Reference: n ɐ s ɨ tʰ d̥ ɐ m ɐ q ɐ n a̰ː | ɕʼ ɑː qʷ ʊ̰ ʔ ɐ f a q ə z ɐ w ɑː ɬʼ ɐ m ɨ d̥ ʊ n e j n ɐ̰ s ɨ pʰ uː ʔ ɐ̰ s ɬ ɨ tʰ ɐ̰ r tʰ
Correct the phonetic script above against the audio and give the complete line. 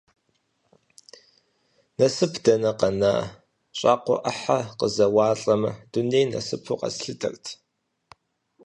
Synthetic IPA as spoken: n ɐ s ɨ pʰ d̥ ɐ n ɐ q ɐ n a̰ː | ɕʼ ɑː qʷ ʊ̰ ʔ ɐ ħ a q ə z ɐ w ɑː ɬʼ ɐ m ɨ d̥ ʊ n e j n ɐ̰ s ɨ pʰ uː q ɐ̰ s ɬ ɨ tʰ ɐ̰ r tʰ